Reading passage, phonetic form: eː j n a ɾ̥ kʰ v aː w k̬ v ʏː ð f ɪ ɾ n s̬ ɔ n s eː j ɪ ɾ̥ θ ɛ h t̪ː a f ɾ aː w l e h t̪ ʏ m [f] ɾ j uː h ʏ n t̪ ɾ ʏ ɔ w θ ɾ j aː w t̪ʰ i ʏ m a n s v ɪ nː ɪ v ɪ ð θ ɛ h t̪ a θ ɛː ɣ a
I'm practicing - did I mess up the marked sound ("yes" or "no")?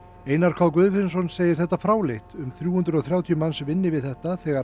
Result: yes